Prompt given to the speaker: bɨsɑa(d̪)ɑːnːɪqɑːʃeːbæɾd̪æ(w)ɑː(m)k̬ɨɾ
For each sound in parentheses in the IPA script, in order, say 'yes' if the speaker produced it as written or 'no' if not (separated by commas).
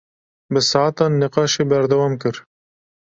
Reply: no, yes, yes